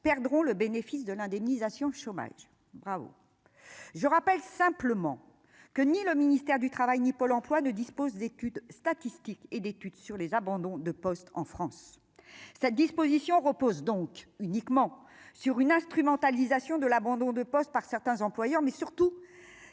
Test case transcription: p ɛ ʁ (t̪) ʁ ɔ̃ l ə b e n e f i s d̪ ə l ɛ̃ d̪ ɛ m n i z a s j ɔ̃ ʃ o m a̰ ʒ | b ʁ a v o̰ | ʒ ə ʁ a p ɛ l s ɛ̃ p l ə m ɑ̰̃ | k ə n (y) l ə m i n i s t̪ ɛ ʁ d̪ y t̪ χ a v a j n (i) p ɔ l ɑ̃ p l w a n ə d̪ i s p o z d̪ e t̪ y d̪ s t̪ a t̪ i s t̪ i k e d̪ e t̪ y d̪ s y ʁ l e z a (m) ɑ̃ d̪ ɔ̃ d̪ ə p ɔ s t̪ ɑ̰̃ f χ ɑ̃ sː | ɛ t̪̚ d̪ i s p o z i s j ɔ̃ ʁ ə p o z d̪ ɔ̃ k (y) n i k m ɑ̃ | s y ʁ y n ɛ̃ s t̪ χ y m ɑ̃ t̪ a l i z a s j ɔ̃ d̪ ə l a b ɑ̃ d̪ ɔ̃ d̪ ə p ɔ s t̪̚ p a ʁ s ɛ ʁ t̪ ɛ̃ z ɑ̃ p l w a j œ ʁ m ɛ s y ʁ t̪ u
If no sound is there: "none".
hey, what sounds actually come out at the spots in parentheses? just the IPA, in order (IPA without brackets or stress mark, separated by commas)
d̪, i, i, b, y